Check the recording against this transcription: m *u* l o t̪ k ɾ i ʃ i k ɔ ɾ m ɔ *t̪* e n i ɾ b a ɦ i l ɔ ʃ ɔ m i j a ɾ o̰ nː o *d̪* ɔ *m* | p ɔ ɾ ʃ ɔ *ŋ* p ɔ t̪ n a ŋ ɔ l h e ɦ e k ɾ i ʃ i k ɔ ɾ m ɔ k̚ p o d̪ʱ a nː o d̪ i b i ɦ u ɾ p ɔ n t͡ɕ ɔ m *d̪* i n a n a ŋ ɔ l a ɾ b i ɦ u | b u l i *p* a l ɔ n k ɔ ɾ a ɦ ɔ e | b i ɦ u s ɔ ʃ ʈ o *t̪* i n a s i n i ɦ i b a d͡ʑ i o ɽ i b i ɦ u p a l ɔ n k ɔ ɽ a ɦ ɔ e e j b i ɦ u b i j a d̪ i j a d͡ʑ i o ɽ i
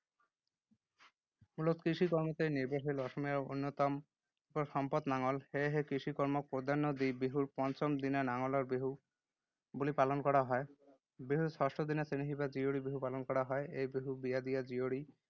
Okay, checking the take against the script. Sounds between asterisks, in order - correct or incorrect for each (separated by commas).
correct, correct, incorrect, correct, incorrect, correct, correct, incorrect